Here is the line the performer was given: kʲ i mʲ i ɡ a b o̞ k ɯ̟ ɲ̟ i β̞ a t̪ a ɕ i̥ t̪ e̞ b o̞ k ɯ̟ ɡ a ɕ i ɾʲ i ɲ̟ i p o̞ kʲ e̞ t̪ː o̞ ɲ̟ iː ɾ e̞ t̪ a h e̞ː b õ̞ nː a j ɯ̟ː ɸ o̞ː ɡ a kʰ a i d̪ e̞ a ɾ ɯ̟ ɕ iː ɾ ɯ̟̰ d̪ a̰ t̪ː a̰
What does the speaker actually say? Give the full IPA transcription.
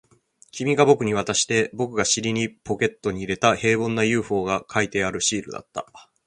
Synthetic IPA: kʲ i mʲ i ɡ a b o̞ k ɯ̟ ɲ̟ i β̞ a t̪ a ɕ i̥ t̪ e̞ b o̞ k ɯ̟ ɡ a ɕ i ɾʲ i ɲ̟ i p o̞ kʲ e̞ t̪ː o̞ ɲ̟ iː ɾ e̞ t̪ a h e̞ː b õ̞ nː a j ɯ̟ː ɸ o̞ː ɡ a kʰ a i t̪ e̞ a ɾ ɯ̟ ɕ iː ɾ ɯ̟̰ d̪ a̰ t̪ː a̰